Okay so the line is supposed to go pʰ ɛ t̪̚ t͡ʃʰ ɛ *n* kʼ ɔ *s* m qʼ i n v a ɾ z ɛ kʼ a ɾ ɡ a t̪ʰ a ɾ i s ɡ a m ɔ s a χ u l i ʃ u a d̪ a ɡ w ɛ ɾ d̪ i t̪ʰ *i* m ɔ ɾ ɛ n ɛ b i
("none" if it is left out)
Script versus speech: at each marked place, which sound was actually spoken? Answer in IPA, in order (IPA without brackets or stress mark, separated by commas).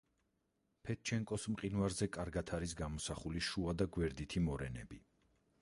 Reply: ŋ, s, i